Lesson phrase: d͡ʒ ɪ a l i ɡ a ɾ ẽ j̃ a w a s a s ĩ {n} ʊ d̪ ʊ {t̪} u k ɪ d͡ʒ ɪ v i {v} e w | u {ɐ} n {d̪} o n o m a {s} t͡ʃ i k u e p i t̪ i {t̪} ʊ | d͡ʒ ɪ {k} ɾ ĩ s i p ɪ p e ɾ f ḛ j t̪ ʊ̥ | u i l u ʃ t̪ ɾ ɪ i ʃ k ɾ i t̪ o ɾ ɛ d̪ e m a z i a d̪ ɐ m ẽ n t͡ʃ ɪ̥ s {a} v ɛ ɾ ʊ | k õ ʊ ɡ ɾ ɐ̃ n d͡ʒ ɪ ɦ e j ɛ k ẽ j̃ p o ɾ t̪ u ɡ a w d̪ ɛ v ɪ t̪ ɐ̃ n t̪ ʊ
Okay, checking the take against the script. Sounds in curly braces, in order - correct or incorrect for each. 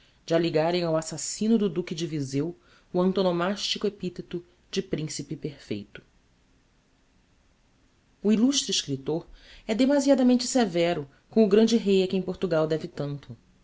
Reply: correct, incorrect: d̪, incorrect: z, incorrect: ɐ̃, incorrect: t̪, incorrect: ʃ, correct, incorrect: p, incorrect: e

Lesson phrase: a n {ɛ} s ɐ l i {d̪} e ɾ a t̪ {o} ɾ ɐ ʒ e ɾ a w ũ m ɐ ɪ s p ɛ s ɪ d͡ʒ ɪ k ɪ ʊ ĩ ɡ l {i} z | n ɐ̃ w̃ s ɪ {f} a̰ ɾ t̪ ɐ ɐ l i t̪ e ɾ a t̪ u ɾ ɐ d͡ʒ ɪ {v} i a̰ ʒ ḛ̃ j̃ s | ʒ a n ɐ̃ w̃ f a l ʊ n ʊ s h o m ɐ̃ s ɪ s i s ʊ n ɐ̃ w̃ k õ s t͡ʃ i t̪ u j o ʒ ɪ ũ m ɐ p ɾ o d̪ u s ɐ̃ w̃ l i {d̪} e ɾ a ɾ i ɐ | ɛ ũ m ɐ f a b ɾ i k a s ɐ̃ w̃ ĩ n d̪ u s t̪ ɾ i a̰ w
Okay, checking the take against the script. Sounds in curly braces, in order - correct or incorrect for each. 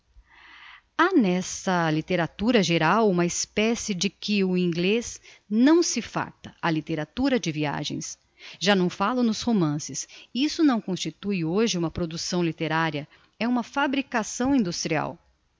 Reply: correct, incorrect: t̪, incorrect: u, incorrect: e, correct, correct, incorrect: t̪

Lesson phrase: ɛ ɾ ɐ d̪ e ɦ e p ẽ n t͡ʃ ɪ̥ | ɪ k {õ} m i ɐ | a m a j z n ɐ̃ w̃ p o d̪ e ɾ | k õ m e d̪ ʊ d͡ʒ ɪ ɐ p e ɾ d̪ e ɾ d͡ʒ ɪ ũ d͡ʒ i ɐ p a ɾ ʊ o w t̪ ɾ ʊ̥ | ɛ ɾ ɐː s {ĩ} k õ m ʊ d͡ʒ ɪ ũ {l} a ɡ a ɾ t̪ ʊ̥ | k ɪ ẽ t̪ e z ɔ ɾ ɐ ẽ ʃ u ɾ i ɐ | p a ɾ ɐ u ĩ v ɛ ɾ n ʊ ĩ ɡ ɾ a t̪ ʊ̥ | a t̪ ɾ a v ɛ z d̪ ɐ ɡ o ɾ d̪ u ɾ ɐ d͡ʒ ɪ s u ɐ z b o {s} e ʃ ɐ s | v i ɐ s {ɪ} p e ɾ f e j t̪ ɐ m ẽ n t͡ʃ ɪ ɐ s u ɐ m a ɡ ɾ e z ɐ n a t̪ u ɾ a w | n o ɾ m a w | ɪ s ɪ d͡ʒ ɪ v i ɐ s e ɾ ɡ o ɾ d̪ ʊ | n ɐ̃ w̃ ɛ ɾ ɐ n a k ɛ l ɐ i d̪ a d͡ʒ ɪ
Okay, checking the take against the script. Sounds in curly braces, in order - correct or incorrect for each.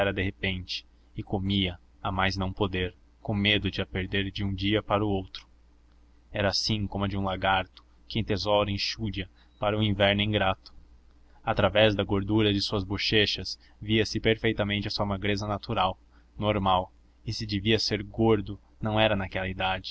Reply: incorrect: o, correct, correct, incorrect: ʃ, correct

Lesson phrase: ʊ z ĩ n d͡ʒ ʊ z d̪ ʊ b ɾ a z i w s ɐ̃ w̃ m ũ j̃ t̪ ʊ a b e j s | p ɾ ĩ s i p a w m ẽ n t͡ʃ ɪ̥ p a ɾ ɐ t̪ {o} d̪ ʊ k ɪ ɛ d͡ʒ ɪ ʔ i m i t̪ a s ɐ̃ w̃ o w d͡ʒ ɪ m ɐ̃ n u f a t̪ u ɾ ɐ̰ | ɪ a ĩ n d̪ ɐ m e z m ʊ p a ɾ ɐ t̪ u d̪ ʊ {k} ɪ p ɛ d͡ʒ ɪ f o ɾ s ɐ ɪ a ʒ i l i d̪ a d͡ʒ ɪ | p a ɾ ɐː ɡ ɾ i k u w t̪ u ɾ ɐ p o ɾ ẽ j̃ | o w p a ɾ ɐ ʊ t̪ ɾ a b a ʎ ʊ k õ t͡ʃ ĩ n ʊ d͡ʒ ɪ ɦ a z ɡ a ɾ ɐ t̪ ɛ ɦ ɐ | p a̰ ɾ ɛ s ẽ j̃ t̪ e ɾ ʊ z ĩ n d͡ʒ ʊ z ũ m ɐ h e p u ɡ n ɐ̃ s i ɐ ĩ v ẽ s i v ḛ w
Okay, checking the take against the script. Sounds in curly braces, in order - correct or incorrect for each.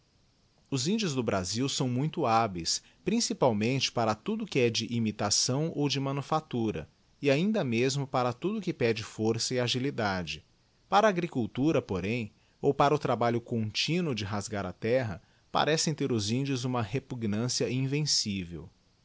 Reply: incorrect: u, correct

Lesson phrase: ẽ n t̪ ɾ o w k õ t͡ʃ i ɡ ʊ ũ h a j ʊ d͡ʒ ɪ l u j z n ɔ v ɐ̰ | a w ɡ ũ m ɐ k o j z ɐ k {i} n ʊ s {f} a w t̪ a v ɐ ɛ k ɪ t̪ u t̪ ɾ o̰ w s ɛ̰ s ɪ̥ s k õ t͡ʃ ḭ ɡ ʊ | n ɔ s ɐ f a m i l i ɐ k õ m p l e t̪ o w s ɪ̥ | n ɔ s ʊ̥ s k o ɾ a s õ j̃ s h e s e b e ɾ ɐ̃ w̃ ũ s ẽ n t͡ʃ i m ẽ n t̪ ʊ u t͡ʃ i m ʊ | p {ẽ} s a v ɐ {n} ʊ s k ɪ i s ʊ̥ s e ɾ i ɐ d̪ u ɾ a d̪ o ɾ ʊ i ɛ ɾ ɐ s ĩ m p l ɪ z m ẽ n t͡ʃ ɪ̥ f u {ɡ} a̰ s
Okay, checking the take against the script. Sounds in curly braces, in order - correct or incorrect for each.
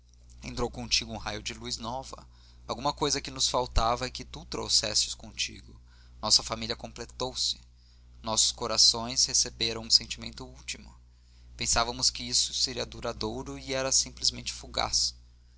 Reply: incorrect: ɪ, correct, correct, incorrect: m, correct

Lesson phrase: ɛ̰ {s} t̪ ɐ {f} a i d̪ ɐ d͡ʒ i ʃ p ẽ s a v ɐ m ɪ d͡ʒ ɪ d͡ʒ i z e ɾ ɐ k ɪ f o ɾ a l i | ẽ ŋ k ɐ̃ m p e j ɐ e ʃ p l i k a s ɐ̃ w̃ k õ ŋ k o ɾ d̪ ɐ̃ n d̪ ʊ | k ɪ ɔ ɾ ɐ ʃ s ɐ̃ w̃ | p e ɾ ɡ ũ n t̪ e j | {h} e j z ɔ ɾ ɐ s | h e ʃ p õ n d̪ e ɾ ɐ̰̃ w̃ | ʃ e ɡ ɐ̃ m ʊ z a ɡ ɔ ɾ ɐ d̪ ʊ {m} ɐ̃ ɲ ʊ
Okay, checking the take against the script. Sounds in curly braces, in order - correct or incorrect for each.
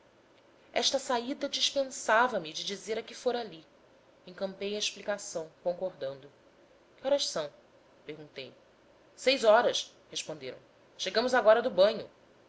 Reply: incorrect: ʃ, incorrect: s, incorrect: s, incorrect: b

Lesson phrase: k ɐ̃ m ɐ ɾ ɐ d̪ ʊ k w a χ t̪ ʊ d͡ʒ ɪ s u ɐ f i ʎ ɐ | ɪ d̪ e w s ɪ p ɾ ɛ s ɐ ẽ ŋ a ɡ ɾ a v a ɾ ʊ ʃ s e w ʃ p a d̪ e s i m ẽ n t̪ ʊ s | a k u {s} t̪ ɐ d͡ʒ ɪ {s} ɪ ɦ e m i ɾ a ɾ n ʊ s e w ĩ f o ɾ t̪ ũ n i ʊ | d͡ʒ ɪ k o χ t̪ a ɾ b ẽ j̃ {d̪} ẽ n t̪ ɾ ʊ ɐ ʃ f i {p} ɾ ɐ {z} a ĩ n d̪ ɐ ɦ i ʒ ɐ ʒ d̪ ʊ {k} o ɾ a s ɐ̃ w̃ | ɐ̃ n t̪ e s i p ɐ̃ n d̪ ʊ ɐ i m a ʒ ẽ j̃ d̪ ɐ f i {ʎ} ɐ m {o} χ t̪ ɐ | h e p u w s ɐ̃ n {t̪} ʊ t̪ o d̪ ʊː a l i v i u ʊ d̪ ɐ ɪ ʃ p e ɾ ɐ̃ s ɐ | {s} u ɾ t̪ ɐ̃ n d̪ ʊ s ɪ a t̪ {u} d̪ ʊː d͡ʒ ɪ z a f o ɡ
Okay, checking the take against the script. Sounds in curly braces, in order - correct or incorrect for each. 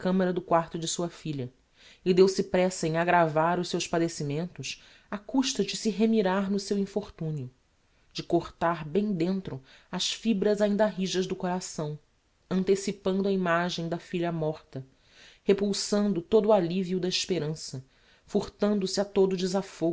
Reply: incorrect: ʃ, correct, correct, incorrect: b, correct, correct, correct, incorrect: ɔ, incorrect: d̪, incorrect: f, incorrect: o

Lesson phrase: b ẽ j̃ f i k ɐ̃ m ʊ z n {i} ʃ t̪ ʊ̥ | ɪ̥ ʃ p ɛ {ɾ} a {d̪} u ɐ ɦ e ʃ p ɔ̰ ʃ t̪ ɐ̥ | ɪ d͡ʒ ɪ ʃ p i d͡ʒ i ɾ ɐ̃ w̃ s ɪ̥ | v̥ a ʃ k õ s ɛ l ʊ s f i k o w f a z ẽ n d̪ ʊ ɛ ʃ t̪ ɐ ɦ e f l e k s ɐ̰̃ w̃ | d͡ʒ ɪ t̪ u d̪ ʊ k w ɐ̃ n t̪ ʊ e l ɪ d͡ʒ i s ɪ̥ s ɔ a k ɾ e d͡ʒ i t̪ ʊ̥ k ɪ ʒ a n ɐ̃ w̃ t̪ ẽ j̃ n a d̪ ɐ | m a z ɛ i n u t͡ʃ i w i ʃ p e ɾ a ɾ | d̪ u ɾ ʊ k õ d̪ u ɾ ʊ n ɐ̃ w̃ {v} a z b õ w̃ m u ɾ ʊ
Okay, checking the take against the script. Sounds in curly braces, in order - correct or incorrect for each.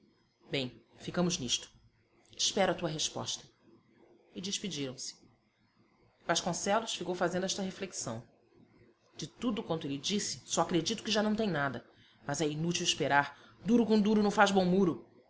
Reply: correct, correct, incorrect: t̪, incorrect: f

